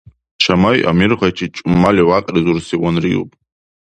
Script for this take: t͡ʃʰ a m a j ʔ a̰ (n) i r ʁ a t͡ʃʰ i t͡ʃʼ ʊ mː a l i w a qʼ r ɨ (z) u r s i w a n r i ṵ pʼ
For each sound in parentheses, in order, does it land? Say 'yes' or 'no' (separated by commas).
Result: no, yes